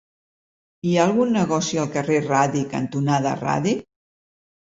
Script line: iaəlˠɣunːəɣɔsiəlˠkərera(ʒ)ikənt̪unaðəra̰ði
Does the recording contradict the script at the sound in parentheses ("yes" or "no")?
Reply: yes